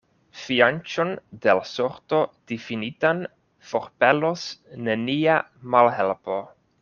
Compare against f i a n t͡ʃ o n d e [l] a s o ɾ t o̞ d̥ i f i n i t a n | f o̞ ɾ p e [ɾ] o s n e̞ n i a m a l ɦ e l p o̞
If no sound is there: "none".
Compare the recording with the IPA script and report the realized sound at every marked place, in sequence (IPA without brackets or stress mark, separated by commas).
l, l